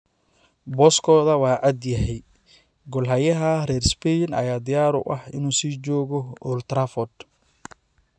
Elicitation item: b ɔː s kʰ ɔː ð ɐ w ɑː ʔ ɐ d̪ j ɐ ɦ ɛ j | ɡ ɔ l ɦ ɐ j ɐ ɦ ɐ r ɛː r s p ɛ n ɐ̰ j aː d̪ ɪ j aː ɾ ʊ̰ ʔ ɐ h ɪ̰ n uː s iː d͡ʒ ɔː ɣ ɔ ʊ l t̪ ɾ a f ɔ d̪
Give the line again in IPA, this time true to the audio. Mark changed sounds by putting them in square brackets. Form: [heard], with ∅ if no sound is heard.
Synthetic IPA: b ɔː s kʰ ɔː ð ɐ w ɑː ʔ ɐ d̪ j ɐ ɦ ɛ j | ɡ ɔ l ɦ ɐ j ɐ ɦ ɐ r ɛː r s p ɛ n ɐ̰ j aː d̪ ɪ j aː ɾ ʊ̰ ʔ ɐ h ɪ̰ n uː s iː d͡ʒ ɔː ɣ ɔ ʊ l t̪ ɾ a f ɔ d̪